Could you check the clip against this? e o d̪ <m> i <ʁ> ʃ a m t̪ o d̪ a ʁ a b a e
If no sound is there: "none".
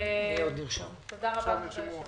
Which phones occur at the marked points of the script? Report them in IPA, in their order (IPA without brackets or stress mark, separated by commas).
n, ʁ